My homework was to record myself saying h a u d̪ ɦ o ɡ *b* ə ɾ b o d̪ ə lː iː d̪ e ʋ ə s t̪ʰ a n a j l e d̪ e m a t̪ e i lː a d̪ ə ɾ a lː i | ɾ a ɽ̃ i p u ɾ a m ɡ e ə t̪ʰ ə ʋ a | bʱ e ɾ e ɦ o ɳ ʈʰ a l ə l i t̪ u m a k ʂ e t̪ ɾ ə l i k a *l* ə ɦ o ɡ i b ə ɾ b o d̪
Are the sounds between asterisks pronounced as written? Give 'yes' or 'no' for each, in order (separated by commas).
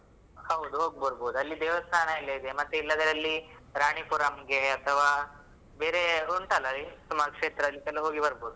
yes, yes